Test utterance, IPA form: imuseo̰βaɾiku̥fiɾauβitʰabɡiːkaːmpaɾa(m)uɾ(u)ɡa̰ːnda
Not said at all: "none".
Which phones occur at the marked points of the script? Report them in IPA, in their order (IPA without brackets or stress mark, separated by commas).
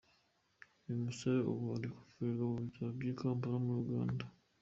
m, u